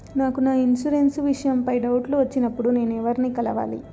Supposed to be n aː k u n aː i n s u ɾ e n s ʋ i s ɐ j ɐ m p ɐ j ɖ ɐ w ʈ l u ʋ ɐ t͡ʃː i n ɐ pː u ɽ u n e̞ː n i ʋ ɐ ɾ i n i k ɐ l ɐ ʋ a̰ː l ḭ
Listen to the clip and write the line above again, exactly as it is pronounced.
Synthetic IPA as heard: n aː k u n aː i n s u ɾ e n s ʋ i ʂ ɐ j ɐ m p ɐ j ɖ ɐ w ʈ l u ʋ ɐ t͡ʃː i n ɐ pː u ɽ u n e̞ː n ɛ ʋ ɐ ɾ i n i k ɐ l ɐ ʋ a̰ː l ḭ